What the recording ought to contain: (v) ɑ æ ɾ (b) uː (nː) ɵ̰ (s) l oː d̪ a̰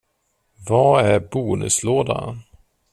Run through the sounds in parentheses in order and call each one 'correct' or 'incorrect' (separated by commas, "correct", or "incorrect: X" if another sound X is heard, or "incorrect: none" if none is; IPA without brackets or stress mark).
correct, correct, incorrect: n, correct